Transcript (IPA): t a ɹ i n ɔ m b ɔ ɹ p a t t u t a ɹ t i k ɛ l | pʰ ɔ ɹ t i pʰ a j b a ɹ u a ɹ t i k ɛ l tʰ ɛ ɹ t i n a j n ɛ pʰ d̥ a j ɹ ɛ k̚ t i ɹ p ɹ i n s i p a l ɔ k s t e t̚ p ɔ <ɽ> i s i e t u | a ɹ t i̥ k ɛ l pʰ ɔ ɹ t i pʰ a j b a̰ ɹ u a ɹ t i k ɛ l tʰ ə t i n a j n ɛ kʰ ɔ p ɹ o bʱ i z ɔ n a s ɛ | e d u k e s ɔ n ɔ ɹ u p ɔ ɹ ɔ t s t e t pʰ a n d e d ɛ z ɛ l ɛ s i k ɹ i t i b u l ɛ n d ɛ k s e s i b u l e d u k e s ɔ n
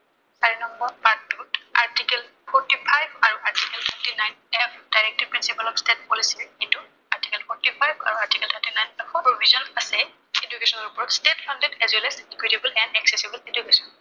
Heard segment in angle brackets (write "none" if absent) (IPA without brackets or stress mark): l